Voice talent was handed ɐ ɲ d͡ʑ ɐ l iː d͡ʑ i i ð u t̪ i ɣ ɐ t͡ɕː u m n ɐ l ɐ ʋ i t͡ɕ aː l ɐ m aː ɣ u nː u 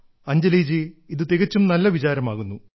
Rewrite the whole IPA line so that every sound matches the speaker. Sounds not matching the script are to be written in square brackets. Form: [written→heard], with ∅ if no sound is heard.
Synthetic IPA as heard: ɐ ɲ d͡ʑ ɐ l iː d͡ʑ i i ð u t̪ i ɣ ɐ t͡ɕː u m n ɐ [l→lː] ɐ ʋ i t͡ɕ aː [l→ɾ] ɐ m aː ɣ u nː u